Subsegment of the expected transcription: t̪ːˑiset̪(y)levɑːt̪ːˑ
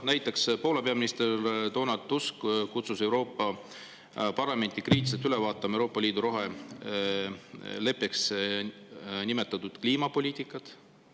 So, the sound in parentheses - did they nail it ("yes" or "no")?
yes